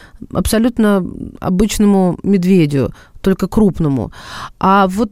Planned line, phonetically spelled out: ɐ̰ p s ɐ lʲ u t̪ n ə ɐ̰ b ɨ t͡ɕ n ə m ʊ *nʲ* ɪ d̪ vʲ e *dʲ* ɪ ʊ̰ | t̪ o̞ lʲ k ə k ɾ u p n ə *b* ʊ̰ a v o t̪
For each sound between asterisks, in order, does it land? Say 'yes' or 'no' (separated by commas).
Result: no, yes, no